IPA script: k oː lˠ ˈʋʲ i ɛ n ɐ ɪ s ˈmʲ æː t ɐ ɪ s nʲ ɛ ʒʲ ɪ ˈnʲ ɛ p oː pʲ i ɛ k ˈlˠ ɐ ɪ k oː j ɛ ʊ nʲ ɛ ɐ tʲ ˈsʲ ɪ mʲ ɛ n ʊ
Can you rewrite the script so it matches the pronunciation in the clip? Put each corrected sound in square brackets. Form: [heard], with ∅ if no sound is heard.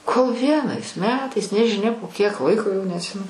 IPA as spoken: k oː lˠ ˈʋʲ i ɛ n ɐ ɪ s ˈmʲ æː t ɐ ɪ s nʲ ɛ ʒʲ ɪ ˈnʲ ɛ p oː [kʲ] i ɛ k ˈlˠ ɐ ɪ k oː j ɛ ʊ nʲ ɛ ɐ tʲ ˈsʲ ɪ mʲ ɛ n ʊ